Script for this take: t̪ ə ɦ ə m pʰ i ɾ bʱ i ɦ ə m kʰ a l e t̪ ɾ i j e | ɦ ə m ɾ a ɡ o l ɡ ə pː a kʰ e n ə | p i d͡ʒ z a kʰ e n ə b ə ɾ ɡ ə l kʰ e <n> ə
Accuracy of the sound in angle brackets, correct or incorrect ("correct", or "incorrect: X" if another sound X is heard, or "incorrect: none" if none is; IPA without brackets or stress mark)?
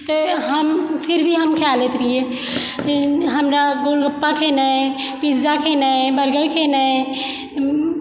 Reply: correct